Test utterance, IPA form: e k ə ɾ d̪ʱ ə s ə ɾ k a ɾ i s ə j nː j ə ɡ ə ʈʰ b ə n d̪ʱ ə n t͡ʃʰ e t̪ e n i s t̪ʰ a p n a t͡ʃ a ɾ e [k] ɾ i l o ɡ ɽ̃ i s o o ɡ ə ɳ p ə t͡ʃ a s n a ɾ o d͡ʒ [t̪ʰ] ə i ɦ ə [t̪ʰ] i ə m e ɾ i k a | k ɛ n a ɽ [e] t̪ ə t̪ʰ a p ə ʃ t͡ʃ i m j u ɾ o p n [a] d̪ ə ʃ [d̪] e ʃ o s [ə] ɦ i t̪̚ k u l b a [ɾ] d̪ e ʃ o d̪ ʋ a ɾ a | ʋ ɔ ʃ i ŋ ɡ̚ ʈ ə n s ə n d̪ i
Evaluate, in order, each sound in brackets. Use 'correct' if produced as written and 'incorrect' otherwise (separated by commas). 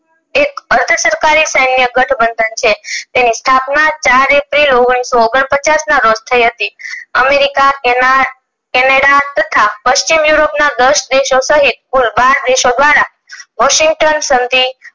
incorrect, correct, incorrect, incorrect, correct, correct, correct, correct